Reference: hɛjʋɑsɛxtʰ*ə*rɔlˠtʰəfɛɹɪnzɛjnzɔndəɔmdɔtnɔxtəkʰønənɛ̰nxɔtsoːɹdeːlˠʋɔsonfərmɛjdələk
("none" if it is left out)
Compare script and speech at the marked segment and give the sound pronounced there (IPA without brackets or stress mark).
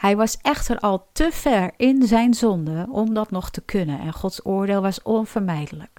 ə